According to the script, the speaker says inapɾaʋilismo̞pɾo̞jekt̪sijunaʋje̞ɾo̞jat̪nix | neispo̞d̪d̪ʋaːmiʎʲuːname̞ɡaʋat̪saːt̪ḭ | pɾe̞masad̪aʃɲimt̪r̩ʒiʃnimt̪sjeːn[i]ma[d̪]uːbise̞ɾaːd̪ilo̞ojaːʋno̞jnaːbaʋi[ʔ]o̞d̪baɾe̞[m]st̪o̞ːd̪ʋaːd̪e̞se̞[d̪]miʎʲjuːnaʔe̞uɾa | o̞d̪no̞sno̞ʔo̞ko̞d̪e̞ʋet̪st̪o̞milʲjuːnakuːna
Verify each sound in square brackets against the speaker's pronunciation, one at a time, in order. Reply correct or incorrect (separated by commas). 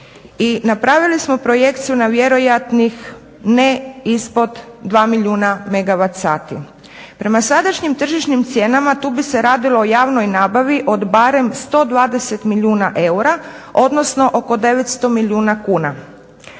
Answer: incorrect, incorrect, correct, correct, incorrect